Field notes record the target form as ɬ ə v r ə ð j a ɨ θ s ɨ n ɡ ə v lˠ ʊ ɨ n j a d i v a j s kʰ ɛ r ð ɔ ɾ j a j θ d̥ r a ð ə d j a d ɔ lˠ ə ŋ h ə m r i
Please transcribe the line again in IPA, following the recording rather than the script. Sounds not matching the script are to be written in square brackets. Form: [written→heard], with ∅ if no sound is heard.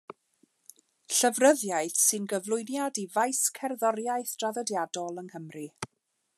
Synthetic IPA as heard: ɬ ə v r ə ð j a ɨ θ s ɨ n ɡ ə v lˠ ʊ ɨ n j a d i v a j s kʰ ɛ r ð ɔ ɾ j a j θ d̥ r a ð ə d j a d ɔ lˠ ə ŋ h ə m r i